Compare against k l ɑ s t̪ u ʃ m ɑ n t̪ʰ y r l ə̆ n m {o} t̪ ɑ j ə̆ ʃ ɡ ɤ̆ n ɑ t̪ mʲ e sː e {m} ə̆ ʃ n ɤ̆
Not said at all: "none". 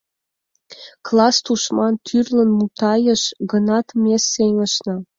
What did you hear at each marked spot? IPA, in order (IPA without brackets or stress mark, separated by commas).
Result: u, ŋ